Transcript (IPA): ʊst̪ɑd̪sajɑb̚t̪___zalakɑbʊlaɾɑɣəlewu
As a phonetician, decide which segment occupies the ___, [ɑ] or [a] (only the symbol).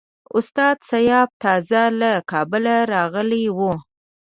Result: ɑ